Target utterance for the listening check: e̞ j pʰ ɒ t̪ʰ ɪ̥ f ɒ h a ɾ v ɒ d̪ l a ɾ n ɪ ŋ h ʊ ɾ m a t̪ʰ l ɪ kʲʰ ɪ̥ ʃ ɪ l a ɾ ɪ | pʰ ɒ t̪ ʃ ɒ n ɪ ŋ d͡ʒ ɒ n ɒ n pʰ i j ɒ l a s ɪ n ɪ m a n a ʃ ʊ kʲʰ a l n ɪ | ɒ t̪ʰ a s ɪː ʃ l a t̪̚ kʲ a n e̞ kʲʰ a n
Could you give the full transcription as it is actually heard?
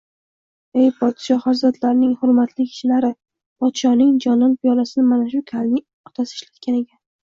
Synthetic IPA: e̞ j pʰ ɒ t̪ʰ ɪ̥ ʃ ɒ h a ɾ z ɒ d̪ l a ɾ n ɪ ŋ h ʊ ɾ m a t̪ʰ l ɪ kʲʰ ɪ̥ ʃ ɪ l a ɾ ɪ | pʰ ɒ t̪ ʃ ɒ n ɪ ŋ d͡ʒ ɒ n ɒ n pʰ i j ɒ l a s ɪ n ɪ m a n a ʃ ʊ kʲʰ a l n ɪ | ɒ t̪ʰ a s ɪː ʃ l a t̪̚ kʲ a n e̞ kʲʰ a n